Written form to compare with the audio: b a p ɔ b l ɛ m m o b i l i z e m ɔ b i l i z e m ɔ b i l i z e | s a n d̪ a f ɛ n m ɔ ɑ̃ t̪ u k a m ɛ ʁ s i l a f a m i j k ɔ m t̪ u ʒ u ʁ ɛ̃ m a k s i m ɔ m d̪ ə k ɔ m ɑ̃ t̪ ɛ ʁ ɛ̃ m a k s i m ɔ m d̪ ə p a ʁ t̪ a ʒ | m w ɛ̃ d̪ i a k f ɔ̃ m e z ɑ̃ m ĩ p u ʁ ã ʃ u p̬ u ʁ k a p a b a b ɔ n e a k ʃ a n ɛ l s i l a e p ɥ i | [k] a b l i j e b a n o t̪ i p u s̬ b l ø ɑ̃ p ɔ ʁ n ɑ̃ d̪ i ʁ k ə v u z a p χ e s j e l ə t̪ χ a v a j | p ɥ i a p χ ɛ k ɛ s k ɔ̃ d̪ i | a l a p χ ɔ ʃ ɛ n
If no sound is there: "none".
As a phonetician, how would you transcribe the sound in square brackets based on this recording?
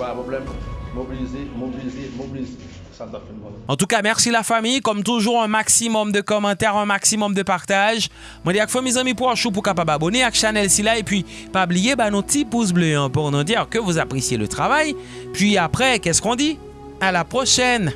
p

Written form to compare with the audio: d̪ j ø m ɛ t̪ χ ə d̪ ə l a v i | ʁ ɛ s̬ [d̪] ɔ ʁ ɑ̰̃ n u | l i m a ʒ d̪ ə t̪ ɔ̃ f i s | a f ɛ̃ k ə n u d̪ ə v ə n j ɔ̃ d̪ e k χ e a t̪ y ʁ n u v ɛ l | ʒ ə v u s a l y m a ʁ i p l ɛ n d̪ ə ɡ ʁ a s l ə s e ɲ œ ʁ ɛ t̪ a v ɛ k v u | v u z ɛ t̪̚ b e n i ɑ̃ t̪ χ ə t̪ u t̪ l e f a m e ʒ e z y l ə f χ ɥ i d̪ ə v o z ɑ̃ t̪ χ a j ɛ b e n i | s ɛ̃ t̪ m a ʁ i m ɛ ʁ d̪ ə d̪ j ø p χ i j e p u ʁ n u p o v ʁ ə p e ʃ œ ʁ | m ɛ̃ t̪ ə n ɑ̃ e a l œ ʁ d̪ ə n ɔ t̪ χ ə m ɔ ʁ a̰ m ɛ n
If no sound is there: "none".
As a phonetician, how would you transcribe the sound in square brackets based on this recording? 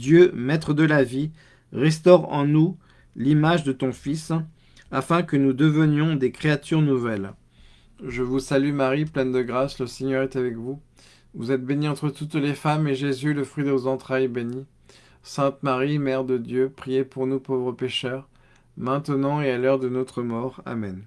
t̪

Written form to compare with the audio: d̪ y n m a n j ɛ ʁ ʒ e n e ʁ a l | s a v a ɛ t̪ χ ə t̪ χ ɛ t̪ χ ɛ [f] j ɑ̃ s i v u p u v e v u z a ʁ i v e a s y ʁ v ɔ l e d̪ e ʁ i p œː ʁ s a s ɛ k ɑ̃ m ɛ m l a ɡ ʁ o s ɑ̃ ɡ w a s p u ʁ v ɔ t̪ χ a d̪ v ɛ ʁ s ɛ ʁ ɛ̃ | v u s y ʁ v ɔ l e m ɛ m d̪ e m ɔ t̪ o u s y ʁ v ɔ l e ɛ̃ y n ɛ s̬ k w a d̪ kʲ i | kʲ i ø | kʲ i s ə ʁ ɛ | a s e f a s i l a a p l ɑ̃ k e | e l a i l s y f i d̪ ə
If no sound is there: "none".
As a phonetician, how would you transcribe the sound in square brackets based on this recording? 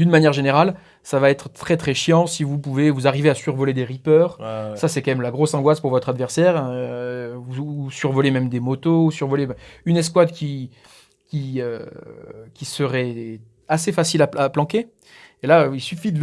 ʃ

